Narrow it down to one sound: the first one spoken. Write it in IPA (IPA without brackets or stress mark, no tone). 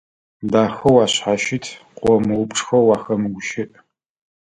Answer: d